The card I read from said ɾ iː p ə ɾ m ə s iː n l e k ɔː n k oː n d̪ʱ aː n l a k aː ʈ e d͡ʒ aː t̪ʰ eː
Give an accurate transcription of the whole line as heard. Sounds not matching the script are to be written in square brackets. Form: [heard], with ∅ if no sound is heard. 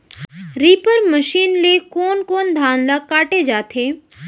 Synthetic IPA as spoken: ɾ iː p ə ɾ m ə [ʃ] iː n l e k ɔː n k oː n d̪ʱ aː n l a k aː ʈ e d͡ʒ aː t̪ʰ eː